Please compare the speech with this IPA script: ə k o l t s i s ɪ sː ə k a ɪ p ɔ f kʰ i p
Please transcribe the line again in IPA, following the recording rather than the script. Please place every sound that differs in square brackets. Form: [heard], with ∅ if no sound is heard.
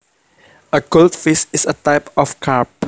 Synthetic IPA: ə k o l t [f] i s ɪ [s] ə [t] a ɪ p ɔ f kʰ [a] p